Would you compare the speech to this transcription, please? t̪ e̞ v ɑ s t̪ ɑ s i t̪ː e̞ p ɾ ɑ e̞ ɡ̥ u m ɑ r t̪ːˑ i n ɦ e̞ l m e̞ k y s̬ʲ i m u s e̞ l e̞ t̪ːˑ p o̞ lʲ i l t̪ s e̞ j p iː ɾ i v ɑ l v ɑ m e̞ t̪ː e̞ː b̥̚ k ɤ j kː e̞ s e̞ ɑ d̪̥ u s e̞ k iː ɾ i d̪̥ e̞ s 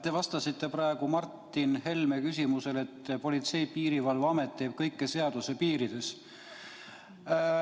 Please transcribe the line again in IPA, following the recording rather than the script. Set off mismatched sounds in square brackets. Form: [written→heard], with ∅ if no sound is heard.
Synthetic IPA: t̪ e̞ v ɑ s t̪ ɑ s i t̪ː e̞ p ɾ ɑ e̞ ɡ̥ u m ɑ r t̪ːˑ i n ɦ e̞ l m e̞ k y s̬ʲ i m u s e̞ l e̞ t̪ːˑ p o̞ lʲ i [l→∅] t̪ s e̞ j p iː ɾ i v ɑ l v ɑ m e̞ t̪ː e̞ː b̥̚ k ɤ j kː e̞ s e̞ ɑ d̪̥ u s e̞ [k→p] iː ɾ i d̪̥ e̞ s

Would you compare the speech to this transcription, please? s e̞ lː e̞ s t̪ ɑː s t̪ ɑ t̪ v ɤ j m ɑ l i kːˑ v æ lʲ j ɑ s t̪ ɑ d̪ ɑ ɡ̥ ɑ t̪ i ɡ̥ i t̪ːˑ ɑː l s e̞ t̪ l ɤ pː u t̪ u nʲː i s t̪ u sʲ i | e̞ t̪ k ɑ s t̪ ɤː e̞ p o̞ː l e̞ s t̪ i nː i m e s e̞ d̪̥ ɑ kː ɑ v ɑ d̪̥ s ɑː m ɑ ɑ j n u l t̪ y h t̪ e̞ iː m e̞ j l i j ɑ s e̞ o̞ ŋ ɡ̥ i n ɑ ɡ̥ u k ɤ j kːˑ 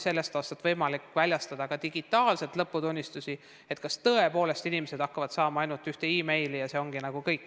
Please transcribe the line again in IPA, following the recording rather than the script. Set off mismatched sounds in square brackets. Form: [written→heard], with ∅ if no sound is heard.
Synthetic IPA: s e̞ lː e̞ s t̪ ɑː s t̪ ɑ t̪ v ɤ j m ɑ l i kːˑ v æ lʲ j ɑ s t̪ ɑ d̪ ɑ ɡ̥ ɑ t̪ i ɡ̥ i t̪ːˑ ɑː l s e̞ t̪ l ɤ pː u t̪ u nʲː i s t̪ u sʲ i | e̞ t̪ k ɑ s t̪ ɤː e̞ p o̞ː l e̞ s t̪ i [nː→n] i m e s e̞ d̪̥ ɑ kː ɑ v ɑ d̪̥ s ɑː m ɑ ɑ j n u l t̪ y h t̪ e̞ iː m e̞ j l i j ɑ s e̞ o̞ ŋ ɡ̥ i n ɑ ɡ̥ u k ɤ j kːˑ

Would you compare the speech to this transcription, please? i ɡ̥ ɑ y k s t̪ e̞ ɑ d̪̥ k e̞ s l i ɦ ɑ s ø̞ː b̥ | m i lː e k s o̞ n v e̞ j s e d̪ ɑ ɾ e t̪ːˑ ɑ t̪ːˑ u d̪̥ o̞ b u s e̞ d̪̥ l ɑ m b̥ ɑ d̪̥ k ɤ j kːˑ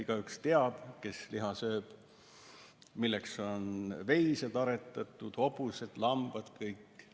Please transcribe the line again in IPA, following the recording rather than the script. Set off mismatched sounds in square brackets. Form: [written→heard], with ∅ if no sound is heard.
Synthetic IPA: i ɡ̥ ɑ y k s t̪ e̞ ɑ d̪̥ k e̞ s l i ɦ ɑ s ø̞ː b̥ | m i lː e k s o̞ n v e̞ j s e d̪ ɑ ɾ e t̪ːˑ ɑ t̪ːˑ u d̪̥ o̞ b u s e̞ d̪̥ l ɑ m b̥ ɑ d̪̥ k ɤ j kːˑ

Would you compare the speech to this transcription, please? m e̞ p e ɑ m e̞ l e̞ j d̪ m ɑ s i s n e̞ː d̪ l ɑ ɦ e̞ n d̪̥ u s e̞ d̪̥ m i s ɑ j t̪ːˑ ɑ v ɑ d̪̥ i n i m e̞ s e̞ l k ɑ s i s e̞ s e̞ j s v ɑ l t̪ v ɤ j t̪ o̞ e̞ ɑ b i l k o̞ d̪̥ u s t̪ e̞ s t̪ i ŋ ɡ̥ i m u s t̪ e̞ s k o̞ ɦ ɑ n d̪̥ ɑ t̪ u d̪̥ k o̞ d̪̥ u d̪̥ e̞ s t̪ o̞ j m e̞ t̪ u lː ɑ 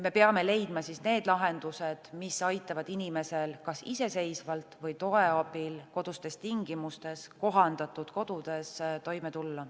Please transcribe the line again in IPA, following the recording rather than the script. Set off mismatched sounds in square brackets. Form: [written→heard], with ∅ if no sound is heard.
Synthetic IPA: m e̞ p e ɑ m e̞ l e̞ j d̪ m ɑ s i s n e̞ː d̪ l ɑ ɦ e̞ n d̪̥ u s e̞ d̪̥ m i s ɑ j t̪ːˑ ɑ v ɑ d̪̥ i n i m e̞ s e̞ l k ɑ s i s e̞ s e̞ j s v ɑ l t̪ v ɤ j t̪ o̞ e̞ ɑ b i l k o̞ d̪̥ u s t̪ e̞ s t̪ i ŋ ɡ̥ i m u s t̪ e̞ s k o̞ ɦ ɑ n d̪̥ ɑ t̪ u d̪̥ k o̞ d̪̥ u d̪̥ e̞ s t̪ o̞ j m e̞ t̪ u lː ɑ

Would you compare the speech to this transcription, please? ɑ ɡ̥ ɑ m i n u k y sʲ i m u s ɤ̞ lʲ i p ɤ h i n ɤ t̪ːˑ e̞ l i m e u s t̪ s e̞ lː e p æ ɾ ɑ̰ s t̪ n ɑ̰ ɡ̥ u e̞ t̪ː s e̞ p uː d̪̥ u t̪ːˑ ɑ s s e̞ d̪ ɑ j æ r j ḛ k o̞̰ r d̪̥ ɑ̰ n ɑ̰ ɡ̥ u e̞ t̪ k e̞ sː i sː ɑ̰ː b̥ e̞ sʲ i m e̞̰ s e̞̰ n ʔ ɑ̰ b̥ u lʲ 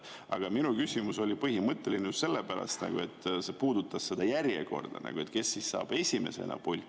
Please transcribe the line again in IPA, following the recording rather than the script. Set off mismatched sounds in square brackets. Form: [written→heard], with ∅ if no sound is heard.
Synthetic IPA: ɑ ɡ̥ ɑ m i n u k y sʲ i m u s [ɤ̞→o̞] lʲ i p ɤ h i [n→m] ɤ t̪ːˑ e̞ l i [m→n] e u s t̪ s e̞ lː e p æ ɾ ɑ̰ s t̪ n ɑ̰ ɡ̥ u e̞ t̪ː s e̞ p uː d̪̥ u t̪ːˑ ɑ s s e̞ d̪ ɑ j æ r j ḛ k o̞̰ r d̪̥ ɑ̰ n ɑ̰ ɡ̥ u e̞ t̪ k e̞ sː i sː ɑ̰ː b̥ e̞ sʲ i m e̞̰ s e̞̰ n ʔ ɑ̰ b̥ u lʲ

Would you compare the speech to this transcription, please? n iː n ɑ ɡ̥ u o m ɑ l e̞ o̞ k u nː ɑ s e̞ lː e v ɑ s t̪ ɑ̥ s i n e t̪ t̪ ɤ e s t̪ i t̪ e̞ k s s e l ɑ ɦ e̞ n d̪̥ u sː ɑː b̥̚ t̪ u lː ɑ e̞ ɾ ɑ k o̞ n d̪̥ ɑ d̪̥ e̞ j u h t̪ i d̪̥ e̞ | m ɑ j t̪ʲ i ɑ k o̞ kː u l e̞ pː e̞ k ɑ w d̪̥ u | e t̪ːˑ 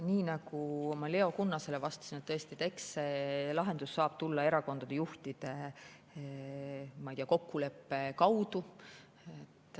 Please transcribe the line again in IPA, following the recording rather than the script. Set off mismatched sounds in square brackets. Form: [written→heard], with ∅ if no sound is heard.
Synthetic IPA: n iː n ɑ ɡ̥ u o m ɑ l e̞ o̞ k u nː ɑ s e̞ [lː→l] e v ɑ s t̪ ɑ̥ s i n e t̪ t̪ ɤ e s t̪ i t̪ e̞ k s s e l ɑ ɦ e̞ n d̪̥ u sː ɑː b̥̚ t̪ u lː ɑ e̞ ɾ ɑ k o̞ n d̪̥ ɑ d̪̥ e̞ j u h t̪ i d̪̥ e̞ | m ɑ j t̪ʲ i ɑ k o̞ kː u l e̞ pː e̞ k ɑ w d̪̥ u | e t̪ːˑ

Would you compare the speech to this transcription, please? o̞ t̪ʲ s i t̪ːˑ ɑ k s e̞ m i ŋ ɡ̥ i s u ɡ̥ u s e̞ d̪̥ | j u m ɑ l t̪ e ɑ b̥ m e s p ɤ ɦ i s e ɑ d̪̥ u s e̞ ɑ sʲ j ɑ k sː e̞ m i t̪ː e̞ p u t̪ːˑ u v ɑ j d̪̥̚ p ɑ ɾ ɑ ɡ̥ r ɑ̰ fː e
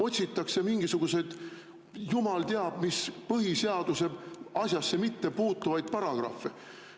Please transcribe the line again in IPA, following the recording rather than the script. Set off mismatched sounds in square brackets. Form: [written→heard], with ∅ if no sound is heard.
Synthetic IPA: o̞ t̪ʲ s i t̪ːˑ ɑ k s e̞ m i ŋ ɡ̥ i s u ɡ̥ u s e̞ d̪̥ | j u m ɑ l t̪ e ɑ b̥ m [e→i] s p ɤ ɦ i s e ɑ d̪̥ u s e̞ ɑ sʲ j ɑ [k→∅] sː e̞ m i t̪ː e̞ p [u→uː] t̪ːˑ u v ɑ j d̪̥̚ p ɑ ɾ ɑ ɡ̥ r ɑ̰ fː e

